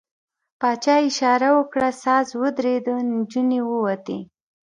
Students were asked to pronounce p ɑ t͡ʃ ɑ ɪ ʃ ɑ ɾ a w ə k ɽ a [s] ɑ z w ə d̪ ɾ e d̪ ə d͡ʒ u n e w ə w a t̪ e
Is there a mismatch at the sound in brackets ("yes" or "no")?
no